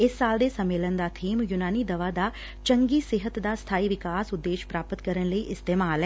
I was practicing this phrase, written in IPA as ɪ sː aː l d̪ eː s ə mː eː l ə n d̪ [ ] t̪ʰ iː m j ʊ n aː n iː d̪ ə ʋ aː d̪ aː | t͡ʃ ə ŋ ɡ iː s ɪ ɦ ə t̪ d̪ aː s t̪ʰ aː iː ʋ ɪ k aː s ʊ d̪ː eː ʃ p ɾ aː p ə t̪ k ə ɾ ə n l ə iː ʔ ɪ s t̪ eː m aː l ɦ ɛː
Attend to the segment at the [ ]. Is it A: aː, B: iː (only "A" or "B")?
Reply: A